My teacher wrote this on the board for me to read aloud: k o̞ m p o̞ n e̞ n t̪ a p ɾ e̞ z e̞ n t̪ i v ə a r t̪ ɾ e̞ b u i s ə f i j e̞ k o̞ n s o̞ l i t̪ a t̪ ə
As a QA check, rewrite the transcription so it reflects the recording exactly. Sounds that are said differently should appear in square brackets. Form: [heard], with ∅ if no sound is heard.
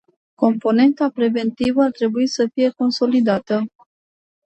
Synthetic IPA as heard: k o̞ m p o̞ n e̞ n t̪ a p ɾ e̞ [v] e̞ n t̪ i v ə a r t̪ ɾ e̞ b u i s ə f i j e̞ k o̞ n s o̞ l i [d̪] a t̪ ə